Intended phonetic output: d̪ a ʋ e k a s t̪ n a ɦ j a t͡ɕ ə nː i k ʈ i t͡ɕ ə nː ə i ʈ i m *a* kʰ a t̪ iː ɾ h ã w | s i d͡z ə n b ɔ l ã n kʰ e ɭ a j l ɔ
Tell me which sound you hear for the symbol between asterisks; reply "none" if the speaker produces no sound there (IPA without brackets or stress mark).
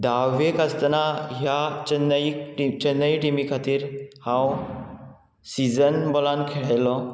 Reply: i